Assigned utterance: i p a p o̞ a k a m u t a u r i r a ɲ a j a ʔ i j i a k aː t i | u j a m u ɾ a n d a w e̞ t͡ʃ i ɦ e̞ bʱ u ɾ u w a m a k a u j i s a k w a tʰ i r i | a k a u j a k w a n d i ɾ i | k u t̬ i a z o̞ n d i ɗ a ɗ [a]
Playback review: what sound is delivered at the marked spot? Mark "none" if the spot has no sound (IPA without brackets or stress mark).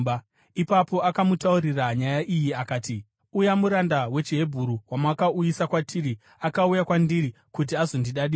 i